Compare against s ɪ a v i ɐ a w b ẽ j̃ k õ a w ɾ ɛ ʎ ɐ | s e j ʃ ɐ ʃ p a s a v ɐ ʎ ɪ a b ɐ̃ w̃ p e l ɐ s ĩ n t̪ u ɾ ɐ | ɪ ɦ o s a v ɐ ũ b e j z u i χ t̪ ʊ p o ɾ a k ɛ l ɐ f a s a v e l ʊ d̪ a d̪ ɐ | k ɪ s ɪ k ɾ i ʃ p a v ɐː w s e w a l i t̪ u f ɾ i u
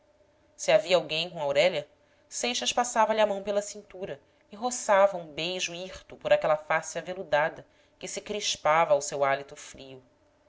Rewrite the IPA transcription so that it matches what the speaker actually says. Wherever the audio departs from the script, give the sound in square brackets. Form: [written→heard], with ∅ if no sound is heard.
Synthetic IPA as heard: s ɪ a v i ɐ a w [b→ɡ] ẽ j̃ k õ a w ɾ ɛ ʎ ɐ | s e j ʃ ɐ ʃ p a s a v ɐ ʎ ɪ a [b→m] ɐ̃ w̃ p e l ɐ s ĩ n t̪ u ɾ ɐ | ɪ ɦ o s a v ɐ ũ b e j [z→ʒ] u i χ t̪ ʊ p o ɾ a k ɛ l ɐ f a s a v e l [ʊ→u] d̪ a d̪ ɐ | k ɪ s ɪ k ɾ i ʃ p a v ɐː w s e w a l i t̪ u f ɾ i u